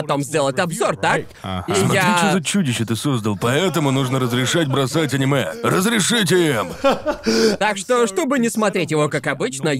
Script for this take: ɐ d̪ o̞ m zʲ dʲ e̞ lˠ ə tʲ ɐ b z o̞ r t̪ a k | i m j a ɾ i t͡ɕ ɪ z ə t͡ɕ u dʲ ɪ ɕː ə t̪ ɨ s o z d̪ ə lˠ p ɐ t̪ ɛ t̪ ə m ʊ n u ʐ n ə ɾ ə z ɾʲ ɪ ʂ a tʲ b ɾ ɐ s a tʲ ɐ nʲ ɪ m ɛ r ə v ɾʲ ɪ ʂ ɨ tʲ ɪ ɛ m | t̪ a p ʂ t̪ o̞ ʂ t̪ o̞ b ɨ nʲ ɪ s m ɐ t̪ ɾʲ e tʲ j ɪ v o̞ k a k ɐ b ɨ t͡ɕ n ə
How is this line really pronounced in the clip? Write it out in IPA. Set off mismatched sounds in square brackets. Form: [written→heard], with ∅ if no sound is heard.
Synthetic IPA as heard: ɐ [d̪→t̪] o̞ m zʲ dʲ e̞ lˠ ə tʲ ɐ b z o̞ r t̪ a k | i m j a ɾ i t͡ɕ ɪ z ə t͡ɕ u dʲ ɪ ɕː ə t̪ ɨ s o z d̪ ə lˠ p ɐ [t̪→∅] ɛ t̪ ə m ʊ n u ʐ n ə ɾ ə z ɾʲ ɪ ʂ a tʲ b ɾ ɐ s a tʲ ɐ nʲ ɪ m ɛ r ə [v→z] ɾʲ ɪ ʂ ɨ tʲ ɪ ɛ m | t̪ a [p→k] ʂ t̪ o̞ ʂ t̪ o̞ b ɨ nʲ ɪ s m ɐ t̪ ɾʲ e tʲ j ɪ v o̞ k a k ɐ b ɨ t͡ɕ n ə